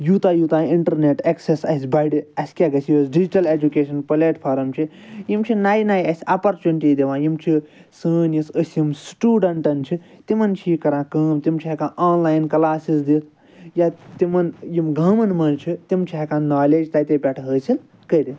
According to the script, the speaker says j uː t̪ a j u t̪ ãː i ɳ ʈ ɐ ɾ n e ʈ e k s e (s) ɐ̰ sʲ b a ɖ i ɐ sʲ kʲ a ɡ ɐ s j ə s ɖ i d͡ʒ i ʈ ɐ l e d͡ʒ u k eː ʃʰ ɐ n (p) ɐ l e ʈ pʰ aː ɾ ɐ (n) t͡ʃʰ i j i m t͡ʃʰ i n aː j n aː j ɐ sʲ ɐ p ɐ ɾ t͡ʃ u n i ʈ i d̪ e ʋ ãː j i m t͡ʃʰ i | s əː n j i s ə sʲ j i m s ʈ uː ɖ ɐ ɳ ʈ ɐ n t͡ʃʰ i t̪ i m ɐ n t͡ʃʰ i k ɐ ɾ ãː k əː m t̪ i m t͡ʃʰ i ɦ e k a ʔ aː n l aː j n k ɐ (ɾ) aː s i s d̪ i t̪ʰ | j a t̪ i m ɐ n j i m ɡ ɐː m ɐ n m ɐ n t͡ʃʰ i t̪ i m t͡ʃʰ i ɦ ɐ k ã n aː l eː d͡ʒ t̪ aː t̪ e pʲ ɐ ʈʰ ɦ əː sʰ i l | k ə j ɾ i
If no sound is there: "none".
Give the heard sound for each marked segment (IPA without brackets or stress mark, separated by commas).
s, p, m, l